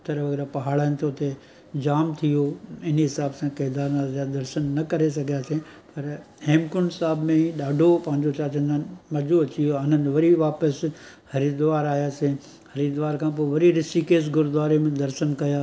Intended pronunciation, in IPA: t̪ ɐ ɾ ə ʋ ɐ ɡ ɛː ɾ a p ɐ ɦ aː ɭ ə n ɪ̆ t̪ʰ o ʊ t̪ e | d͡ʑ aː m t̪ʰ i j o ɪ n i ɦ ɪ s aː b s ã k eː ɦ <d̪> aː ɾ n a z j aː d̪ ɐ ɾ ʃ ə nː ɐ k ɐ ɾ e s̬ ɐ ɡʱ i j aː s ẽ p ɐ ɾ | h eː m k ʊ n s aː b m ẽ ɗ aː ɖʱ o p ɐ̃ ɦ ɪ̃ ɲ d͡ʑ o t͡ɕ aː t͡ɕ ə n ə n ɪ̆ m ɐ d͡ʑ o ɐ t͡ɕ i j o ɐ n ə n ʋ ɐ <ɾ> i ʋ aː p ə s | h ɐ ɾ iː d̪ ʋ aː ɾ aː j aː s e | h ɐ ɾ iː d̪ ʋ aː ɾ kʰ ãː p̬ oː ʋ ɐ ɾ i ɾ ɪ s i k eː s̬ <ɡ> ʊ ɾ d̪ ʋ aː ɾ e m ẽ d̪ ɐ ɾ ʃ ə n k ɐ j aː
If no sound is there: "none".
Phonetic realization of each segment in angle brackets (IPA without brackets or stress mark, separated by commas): d̪, ɾ, ɡ